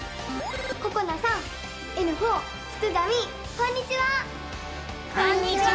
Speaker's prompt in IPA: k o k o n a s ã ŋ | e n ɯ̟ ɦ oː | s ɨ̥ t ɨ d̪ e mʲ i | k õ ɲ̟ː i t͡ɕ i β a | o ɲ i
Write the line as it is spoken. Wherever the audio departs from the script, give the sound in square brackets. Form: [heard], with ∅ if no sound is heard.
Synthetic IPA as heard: k o k o n a s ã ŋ | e n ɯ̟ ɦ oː | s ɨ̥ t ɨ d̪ [a] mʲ i | k õ ɲ̟ː i t͡ɕ i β a | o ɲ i